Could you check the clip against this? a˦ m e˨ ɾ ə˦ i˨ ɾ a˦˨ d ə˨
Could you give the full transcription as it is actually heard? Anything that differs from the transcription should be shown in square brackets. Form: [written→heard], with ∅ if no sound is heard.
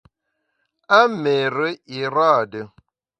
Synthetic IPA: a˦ m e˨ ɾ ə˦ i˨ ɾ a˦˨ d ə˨